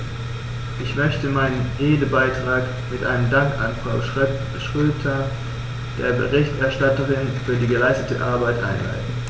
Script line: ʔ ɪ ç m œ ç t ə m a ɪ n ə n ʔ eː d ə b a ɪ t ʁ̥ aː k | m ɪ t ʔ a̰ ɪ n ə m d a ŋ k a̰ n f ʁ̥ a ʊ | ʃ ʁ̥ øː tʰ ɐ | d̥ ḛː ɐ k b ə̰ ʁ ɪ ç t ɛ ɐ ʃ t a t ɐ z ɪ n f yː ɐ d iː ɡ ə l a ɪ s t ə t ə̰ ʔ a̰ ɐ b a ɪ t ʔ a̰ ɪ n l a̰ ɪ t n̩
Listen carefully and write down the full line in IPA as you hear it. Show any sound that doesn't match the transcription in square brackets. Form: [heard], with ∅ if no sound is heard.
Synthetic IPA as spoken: ʔ ɪ ç m œ ç t ə m a ɪ n ə n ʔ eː d ə b a ɪ t ʁ̥ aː k | m ɪ t ʔ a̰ ɪ n ə m d a ŋ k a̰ n f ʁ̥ a ʊ | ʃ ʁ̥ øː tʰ ɐ | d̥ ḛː ɐ [∅] b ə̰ ʁ ɪ ç t ɛ ɐ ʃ t a t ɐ [ʁ] ɪ n f yː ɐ d iː ɡ ə l a ɪ s t ə t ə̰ ʔ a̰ ɐ b a ɪ t ʔ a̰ ɪ n l a̰ ɪ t n̩